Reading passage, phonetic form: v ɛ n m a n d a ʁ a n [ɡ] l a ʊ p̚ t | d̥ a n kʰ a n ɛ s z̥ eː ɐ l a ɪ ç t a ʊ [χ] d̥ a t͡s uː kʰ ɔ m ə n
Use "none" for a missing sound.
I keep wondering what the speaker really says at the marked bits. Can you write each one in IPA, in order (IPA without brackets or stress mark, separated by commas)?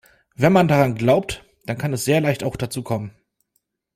ɡ, x